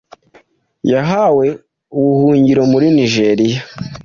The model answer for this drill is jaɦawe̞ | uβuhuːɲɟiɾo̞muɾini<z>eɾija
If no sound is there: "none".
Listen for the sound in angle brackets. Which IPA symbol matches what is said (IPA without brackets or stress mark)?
ʒ